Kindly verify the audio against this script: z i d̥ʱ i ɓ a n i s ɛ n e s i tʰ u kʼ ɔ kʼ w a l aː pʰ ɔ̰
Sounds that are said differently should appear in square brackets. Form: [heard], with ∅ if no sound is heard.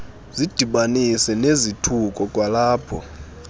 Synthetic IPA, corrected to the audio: z i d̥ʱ i ɓ a n i s ɛ n e [z] i tʰ u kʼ ɔ kʼ w a l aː pʰ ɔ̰